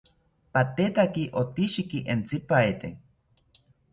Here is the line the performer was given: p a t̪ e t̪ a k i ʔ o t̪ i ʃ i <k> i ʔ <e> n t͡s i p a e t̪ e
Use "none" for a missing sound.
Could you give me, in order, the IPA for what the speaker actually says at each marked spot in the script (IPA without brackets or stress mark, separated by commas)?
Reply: k, e